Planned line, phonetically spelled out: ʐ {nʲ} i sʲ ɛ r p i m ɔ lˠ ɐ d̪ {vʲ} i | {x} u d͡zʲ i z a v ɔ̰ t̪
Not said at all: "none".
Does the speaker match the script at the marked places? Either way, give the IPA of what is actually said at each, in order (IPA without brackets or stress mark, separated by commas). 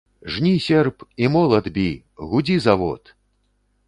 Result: nʲ, bʲ, ɣ